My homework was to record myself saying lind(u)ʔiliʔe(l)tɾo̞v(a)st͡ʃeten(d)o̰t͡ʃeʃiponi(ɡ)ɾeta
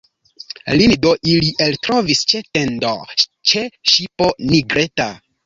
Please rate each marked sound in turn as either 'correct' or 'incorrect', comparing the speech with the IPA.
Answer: incorrect: o, correct, incorrect: i, correct, correct

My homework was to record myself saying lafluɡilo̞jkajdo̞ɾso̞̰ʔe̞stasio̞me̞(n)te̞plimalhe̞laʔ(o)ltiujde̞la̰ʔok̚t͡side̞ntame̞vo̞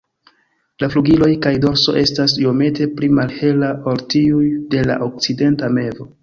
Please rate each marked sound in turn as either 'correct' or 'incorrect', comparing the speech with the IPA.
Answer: incorrect: none, correct

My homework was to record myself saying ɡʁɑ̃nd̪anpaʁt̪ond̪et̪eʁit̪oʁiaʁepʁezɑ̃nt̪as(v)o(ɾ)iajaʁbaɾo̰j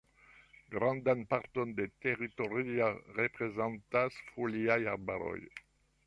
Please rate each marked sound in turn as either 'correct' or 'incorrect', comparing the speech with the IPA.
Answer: incorrect: f, incorrect: l

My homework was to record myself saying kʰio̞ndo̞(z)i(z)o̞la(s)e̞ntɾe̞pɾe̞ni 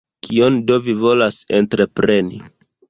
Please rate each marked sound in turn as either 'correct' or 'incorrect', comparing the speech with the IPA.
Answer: incorrect: v, incorrect: v, correct

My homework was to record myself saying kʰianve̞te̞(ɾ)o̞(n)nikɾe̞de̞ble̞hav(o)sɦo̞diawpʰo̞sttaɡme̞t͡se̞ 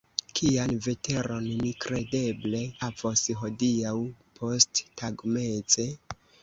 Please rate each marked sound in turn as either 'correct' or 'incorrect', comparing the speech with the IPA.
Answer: correct, correct, correct

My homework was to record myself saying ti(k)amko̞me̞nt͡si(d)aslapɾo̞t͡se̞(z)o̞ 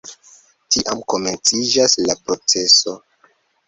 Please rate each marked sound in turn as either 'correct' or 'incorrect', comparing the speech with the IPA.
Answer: incorrect: ʔ, incorrect: d͡ʒ, incorrect: s

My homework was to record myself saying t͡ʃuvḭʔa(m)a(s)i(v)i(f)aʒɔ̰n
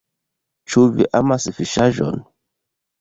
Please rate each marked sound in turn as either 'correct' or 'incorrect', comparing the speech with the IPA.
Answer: correct, correct, incorrect: f, incorrect: ʃ

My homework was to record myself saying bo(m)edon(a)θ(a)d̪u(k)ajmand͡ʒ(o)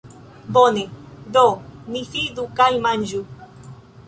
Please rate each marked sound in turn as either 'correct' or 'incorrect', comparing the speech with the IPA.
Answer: incorrect: n, incorrect: i, incorrect: i, correct, incorrect: u

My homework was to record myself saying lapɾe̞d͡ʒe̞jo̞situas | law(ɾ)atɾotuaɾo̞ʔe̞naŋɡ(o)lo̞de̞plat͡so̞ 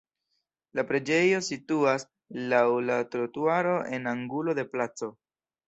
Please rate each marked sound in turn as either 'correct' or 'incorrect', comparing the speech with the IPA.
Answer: incorrect: l, incorrect: u

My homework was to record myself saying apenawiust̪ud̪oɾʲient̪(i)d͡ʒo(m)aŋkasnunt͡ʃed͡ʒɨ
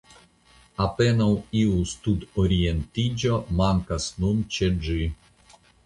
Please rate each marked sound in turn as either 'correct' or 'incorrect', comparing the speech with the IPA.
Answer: correct, correct

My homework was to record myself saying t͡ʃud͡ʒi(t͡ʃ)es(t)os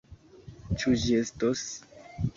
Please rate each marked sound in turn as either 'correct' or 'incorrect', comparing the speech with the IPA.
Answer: incorrect: none, correct

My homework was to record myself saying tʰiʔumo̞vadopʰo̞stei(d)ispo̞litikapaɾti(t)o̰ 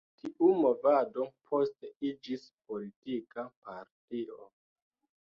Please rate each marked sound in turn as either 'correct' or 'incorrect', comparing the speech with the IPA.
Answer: incorrect: d͡ʒ, incorrect: none

